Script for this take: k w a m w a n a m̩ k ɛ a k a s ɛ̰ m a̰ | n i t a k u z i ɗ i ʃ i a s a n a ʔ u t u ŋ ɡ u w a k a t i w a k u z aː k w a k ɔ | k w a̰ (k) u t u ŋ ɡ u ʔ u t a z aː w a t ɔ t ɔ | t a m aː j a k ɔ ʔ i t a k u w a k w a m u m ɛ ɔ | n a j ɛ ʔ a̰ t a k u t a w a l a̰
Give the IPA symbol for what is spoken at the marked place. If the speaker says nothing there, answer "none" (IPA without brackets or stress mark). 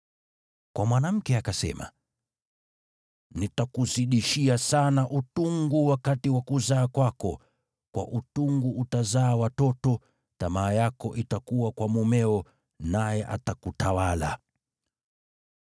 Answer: ʔ